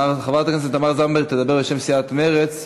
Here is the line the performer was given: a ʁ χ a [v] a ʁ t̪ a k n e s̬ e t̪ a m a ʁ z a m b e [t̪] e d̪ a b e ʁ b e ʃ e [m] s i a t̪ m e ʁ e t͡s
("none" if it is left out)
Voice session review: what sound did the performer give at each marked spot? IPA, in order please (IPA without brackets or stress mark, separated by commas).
v, t̪, m